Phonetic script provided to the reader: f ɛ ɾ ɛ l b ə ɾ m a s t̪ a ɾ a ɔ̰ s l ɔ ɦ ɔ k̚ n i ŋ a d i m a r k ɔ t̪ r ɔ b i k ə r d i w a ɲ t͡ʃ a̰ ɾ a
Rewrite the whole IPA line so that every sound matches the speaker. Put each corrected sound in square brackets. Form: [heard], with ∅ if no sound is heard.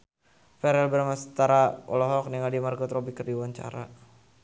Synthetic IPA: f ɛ ɾ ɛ l b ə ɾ m a s t̪ a ɾ a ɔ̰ [∅] l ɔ ɦ ɔ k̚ n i ŋ a d i m a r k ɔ t̪ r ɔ b i k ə r d i w a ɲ t͡ʃ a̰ ɾ a